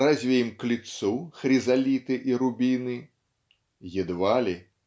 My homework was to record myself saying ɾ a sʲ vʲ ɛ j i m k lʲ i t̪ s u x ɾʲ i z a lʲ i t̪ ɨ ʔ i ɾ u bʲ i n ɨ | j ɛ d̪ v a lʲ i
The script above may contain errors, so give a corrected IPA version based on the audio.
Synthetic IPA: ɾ a zʲ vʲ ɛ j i m k lʲ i t̪ s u x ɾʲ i z a lʲ i t̪ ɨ ʔ i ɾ u bʲ i n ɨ | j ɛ d̪ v a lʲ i